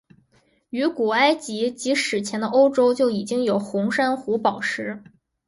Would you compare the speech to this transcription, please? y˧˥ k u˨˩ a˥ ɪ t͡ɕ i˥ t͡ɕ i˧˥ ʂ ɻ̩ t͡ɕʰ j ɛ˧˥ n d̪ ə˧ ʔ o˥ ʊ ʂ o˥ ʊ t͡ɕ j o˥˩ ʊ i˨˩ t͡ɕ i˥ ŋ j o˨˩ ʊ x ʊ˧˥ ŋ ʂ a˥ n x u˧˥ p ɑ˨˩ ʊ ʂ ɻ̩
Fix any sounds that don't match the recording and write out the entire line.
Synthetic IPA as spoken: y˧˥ k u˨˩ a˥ ɪ t͡ɕ i˧˥ t͡ɕ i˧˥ ʂ ɻ̩ t͡ɕʰ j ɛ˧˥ n d̪ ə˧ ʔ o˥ ʊ ʈ͡ʂ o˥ ʊ t͡ɕ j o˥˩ ʊ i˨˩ t͡ɕ i˥ ŋ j o˨˩ ʊ x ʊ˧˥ ŋ ʂ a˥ n x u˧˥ p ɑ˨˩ ʊ ʂ ɻ̩